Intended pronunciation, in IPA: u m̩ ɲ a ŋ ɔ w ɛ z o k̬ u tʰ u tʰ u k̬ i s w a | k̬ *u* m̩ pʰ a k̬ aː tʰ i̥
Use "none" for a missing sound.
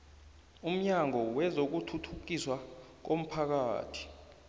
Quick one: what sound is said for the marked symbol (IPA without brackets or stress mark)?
o